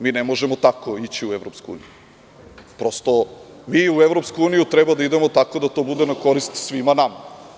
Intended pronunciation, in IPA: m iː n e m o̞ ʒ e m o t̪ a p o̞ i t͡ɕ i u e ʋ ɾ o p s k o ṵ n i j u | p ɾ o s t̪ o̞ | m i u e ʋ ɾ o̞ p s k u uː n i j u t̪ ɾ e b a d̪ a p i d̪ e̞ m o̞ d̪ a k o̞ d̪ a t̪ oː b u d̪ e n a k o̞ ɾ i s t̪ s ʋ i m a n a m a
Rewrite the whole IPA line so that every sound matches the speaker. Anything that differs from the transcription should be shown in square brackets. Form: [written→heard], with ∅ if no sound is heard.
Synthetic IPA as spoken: m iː n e m o̞ ʒ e m o t̪ a [p→k] o̞ i t͡ɕ i u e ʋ ɾ o p s k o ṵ n i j u | p ɾ o s t̪ o̞ | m i u e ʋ ɾ o̞ p s k u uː n i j u t̪ ɾ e b a d̪ a [p→∅] i d̪ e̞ m o̞ [d̪→t̪] a k o̞ d̪ a t̪ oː b u d̪ e n a k o̞ ɾ i s t̪ s ʋ i m a n a m a